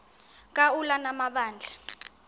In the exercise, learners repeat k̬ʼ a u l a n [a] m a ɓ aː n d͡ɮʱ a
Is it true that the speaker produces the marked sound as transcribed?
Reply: yes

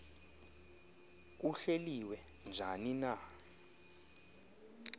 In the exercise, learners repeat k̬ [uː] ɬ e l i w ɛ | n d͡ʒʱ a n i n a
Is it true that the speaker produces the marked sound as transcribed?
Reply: no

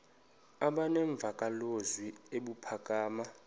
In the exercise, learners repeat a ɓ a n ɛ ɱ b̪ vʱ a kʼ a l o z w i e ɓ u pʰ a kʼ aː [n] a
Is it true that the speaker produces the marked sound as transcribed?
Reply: no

